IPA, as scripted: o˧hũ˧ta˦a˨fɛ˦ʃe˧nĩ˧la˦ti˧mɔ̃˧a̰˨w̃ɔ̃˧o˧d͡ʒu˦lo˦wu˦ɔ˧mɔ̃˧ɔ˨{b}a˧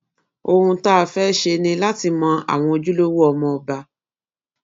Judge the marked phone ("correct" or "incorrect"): correct